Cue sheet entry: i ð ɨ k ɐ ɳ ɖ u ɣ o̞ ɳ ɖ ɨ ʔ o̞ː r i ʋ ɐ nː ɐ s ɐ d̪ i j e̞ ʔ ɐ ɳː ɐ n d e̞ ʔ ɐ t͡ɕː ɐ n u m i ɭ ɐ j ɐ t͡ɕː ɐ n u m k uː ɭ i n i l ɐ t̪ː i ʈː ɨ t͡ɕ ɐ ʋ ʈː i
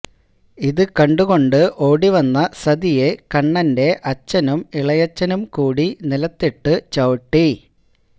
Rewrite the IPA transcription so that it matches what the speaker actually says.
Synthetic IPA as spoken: i ð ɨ k ɐ ɳ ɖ u ɣ o̞ ɳ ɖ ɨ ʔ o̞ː ɽ i ʋ ɐ nː ɐ s ɐ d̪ i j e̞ k ɐ ɳː ɐ n d e̞ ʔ ɐ t͡ɕː ɐ n u m i ɭ ɐ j ɐ t͡ɕː ɐ n u m k uː ɽ i n i l ɐ t̪ː i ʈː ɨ t͡ɕ ɐ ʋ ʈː i